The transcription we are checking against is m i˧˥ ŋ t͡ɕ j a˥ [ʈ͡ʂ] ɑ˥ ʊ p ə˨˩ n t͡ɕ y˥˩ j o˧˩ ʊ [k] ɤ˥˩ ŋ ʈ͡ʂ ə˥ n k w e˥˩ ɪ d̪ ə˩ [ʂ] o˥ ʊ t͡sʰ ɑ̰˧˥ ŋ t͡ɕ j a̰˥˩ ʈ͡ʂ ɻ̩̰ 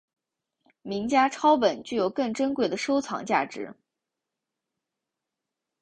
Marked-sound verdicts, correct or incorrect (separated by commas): incorrect, correct, correct